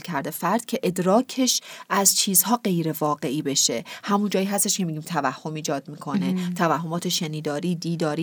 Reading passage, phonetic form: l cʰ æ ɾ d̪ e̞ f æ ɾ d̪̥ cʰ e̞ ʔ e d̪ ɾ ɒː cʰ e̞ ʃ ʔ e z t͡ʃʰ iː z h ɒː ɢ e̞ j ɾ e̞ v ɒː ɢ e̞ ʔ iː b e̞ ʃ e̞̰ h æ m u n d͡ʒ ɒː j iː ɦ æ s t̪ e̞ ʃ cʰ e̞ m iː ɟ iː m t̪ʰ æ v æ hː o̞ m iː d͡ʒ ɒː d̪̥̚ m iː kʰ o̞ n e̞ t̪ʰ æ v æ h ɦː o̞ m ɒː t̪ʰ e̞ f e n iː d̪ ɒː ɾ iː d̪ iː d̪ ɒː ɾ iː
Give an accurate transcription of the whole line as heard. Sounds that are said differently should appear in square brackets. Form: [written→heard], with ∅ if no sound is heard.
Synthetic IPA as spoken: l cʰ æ ɾ d̪ e̞ f æ ɾ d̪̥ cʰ e̞ ʔ e d̪ ɾ ɒː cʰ e̞ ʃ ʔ [e→æ] z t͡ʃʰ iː z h ɒː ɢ e̞ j ɾ e̞ v ɒː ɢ e̞ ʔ iː b e̞ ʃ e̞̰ h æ m u n d͡ʒ ɒː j iː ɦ æ s t̪ e̞ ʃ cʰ e̞ m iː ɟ iː m t̪ʰ æ v æ hː o̞ m iː d͡ʒ ɒː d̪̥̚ m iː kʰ o̞ n e̞ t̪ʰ æ v æ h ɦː o̞ m ɒː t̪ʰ e̞ [f→ʃ] e n iː d̪ ɒː ɾ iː d̪ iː d̪ ɒː ɾ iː